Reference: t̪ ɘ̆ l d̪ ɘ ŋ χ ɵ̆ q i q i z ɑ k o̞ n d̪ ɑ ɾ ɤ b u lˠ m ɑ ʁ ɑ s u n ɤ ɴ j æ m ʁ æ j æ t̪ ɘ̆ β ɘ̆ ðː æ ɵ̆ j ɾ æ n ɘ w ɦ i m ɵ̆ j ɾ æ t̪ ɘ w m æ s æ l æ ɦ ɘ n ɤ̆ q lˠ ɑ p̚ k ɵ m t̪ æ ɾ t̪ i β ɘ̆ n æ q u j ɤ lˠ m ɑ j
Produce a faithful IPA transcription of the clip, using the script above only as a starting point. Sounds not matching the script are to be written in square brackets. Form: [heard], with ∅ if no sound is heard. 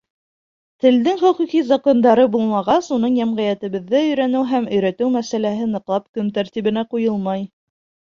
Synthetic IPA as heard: t̪ ɘ̆ l d̪ ɘ ŋ χ ɵ̆ q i q i z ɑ k o̞ n d̪ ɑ ɾ ɤ b u lˠ m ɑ ʁ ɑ s u n ɤ ɴ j æ m ʁ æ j æ t̪ ɘ̆ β ɘ̆ ðː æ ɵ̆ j ɾ æ n ɘ w ɦ [æ] m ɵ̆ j ɾ æ t̪ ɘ w m æ s æ l æ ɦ ɘ n ɤ̆ q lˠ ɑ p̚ k ɵ m t̪ æ ɾ t̪ i β ɘ̆ n æ q u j ɤ lˠ m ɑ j